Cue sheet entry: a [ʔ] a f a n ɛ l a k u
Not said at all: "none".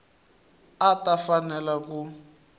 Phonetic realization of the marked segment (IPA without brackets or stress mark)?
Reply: t